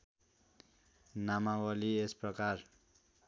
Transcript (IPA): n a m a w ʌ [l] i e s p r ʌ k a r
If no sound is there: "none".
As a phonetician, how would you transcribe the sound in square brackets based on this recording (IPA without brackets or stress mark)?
l